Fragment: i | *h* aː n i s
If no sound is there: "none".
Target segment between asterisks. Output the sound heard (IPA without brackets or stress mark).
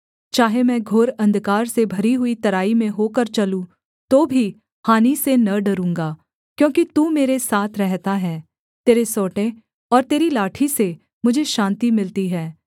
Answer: h